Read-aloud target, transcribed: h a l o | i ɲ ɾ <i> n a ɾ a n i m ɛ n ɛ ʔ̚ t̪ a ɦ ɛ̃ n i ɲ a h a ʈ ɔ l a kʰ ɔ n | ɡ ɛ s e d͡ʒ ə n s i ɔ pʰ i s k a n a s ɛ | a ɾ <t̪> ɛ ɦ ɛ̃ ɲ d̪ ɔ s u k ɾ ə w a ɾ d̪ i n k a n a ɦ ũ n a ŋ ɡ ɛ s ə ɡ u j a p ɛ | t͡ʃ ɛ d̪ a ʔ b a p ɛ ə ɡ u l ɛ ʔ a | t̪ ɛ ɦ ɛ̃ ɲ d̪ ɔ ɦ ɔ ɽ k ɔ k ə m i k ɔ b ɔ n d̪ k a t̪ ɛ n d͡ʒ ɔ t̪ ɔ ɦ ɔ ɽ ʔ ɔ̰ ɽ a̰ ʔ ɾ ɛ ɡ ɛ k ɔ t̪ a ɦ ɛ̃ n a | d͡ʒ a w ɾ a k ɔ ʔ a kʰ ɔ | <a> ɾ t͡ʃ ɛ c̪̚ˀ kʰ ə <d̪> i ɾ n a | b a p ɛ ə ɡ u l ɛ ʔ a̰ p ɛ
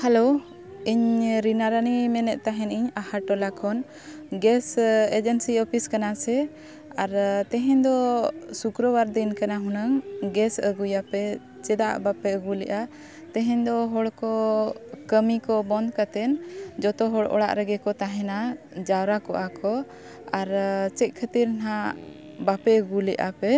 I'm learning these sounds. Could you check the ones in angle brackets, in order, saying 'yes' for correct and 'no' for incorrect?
yes, yes, yes, no

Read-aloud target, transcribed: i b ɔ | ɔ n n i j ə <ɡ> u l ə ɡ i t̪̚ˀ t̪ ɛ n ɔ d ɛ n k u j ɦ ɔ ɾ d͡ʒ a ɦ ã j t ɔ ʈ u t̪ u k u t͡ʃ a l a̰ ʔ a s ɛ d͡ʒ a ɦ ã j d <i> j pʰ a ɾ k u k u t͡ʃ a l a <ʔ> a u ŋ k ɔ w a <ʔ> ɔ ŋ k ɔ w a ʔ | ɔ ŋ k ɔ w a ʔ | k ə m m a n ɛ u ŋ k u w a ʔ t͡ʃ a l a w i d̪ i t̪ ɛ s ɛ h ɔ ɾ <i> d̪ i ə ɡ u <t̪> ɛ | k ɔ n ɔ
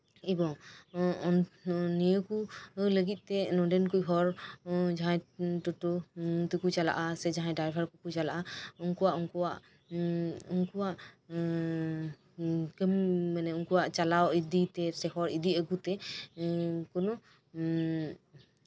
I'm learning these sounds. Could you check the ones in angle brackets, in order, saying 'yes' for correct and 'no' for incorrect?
no, no, yes, yes, yes, yes

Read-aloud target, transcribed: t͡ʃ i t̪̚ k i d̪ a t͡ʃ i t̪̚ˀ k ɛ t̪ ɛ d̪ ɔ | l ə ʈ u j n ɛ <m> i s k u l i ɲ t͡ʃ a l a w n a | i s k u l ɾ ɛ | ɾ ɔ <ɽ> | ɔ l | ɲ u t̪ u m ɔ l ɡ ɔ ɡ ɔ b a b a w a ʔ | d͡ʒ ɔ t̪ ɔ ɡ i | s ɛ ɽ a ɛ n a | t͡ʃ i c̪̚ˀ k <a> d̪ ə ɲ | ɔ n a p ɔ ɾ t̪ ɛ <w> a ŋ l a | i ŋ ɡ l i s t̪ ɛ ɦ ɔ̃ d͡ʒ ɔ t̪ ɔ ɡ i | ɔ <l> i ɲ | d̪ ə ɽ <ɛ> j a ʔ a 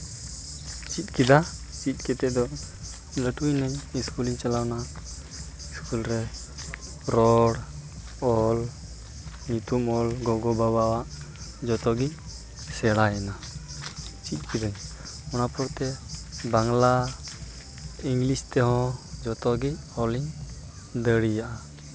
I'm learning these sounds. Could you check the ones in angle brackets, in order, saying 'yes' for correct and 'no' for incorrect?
no, yes, no, no, yes, no

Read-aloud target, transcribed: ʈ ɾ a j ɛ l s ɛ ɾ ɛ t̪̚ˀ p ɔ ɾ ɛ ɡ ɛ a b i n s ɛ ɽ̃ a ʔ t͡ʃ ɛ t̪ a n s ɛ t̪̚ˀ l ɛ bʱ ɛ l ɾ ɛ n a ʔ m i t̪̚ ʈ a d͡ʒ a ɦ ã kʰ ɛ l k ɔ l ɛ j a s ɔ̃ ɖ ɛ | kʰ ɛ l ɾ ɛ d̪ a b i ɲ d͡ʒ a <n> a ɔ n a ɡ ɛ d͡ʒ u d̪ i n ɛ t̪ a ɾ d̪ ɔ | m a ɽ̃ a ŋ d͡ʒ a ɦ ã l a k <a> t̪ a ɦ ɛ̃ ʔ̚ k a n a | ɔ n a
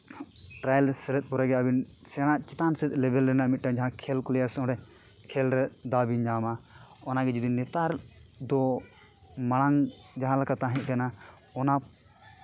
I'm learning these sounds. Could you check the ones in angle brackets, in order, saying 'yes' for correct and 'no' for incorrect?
no, yes

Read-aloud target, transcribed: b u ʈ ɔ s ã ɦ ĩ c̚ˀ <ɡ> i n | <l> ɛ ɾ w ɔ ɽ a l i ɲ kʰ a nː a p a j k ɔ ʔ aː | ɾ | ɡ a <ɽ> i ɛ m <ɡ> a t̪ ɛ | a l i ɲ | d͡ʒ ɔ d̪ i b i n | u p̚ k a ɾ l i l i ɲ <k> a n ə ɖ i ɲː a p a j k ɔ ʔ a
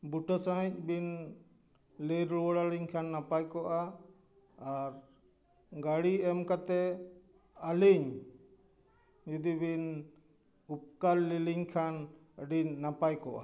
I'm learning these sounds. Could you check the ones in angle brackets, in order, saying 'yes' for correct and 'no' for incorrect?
no, yes, yes, no, no

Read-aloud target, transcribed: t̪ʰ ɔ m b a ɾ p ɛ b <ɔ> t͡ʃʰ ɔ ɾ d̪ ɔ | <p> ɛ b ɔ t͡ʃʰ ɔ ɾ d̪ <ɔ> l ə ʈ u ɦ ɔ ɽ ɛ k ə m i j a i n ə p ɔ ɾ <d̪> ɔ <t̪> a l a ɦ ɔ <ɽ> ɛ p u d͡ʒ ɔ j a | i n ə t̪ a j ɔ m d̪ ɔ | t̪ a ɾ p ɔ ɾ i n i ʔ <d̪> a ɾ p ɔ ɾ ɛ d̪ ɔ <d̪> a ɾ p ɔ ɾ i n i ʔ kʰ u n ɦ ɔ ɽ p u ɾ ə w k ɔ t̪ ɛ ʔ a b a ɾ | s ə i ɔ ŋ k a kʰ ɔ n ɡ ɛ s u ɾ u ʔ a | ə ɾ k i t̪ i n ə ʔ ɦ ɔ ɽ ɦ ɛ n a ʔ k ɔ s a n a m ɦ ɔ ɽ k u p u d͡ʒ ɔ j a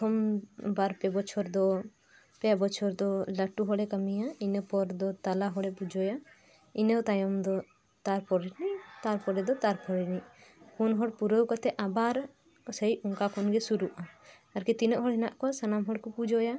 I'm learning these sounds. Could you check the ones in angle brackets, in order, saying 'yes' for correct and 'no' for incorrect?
yes, yes, yes, yes, yes, yes, no, no

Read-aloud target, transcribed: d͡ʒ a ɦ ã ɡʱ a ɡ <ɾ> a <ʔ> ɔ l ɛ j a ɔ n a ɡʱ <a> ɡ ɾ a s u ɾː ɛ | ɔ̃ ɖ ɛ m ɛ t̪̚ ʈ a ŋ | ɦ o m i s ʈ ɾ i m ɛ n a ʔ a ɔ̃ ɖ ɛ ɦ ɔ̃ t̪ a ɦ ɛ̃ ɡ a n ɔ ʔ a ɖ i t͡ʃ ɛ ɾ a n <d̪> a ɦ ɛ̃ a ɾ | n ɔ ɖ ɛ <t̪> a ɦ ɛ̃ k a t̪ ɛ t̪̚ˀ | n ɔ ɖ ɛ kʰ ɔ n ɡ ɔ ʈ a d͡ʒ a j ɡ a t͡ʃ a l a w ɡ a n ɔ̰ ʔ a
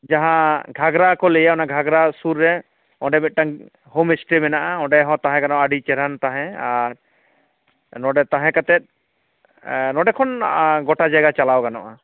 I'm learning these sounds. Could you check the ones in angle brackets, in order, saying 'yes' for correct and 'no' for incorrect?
yes, no, yes, no, yes

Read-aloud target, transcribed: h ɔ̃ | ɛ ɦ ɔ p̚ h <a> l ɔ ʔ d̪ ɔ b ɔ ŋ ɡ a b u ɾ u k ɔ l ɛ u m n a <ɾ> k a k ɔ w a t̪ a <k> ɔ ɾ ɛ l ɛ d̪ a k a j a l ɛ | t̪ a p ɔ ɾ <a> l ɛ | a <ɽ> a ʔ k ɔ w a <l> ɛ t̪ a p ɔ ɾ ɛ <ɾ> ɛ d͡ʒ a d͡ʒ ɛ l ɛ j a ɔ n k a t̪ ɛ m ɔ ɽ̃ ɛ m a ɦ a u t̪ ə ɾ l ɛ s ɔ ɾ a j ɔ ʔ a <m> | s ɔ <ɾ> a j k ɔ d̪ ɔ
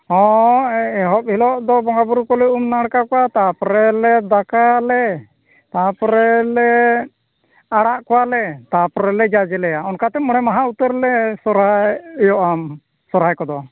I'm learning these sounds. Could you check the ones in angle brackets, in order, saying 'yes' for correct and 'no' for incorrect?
no, no, no, no, yes, yes, no, yes, yes

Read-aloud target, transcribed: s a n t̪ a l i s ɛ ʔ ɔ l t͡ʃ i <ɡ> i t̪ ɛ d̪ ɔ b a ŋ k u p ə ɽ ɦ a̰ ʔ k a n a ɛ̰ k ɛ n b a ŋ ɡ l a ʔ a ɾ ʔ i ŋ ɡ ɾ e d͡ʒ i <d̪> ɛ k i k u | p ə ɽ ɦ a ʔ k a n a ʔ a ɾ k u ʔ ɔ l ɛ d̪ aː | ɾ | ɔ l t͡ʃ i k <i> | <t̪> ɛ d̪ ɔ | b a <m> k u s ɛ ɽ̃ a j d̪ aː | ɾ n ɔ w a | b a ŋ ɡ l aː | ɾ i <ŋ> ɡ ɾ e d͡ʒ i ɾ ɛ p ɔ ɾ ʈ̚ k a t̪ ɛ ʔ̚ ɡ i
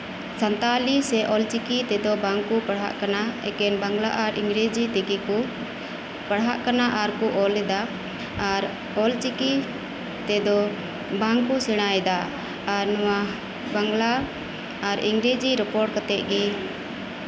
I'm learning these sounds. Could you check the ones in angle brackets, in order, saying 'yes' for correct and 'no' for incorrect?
no, no, yes, yes, no, yes

